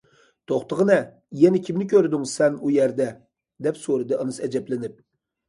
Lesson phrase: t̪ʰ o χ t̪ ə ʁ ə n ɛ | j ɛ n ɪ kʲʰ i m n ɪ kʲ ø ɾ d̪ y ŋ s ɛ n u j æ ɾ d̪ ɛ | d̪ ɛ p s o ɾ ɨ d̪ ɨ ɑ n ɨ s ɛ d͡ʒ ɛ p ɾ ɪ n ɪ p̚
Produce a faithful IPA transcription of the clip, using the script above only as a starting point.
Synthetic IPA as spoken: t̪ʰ o χ t̪ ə ʁ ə n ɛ | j ɛ n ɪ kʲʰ i m n ɪ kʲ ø ɾ d̪ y ŋ s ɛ n u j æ ɾ d̪ ɛ | d̪ ɛ p s o ɾ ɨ d̪ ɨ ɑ n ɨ s ɛ d͡ʒ ɛ p l ɪ n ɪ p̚